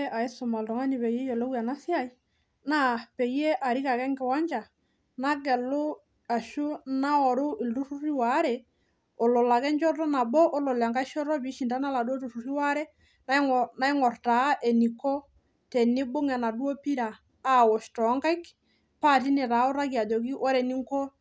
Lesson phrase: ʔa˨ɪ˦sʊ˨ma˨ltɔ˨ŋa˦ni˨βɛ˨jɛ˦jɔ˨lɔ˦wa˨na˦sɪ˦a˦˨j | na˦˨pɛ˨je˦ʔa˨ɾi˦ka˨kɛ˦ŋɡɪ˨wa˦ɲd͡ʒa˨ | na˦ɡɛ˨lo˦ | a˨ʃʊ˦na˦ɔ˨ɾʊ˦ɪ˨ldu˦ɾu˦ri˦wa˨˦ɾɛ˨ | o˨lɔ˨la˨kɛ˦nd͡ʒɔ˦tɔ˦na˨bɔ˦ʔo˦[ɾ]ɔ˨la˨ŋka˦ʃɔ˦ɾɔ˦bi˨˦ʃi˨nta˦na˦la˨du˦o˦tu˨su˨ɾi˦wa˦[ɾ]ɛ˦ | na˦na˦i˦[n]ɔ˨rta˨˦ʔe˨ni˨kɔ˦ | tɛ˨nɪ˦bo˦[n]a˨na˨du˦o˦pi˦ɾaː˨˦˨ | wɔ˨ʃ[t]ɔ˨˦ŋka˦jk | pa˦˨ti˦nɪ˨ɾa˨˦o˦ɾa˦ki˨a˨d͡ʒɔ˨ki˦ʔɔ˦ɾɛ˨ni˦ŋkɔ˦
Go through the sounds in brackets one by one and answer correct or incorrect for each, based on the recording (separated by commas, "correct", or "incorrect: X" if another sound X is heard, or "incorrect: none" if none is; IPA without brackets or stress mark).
incorrect: l, correct, incorrect: ŋ, incorrect: ŋ, correct